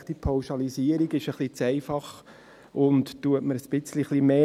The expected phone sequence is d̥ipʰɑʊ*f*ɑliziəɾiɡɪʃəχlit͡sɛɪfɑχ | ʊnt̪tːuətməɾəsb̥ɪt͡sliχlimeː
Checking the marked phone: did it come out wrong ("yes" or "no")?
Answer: yes